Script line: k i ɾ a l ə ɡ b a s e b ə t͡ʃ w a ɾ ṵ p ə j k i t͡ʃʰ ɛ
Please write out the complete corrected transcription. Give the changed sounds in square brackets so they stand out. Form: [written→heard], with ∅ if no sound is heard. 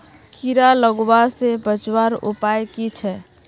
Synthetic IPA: k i ɾ a l ə ɡ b a s e b ə t͡ʃ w a ɾ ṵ p [ə→a] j k i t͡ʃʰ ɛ